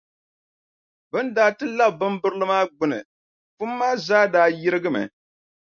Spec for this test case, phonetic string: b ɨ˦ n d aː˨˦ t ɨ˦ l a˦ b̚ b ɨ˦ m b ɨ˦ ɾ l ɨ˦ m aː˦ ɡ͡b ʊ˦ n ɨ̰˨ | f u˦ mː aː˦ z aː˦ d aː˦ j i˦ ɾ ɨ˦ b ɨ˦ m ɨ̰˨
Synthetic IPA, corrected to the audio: b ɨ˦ n d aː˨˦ t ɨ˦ l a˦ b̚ b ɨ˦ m b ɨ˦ ɾ l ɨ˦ m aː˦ ɡ͡b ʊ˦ n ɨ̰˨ | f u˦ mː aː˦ z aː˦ d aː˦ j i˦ ɾ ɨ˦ ɡ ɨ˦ m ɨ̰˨